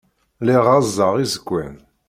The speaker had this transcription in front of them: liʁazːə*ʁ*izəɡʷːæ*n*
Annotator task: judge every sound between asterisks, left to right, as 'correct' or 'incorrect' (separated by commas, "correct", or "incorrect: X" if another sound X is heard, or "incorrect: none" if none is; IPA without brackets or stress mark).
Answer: correct, correct